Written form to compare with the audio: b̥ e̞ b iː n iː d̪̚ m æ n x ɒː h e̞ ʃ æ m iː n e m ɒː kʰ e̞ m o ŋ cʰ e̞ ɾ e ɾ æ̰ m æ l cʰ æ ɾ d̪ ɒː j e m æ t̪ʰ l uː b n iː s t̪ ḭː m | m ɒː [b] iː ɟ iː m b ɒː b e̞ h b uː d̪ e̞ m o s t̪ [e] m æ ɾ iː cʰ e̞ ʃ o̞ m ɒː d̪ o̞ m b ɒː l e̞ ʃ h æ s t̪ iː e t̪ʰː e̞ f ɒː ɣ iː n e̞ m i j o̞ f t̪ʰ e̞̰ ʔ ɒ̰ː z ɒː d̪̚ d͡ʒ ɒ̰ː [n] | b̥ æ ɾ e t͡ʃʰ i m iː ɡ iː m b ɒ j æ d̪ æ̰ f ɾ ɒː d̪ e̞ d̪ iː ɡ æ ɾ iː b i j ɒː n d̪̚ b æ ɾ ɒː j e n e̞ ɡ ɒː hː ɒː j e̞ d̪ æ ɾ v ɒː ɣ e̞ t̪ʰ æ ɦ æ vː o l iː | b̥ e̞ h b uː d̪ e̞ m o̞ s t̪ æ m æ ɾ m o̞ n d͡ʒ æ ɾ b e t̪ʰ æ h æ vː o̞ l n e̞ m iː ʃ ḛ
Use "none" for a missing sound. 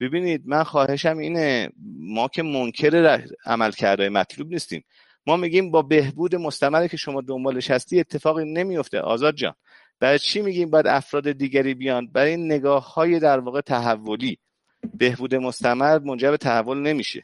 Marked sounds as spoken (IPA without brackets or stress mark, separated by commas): m, æ, n